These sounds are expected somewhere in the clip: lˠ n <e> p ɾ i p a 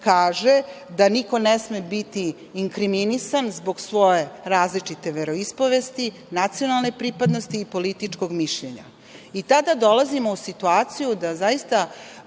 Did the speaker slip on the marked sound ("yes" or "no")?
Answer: no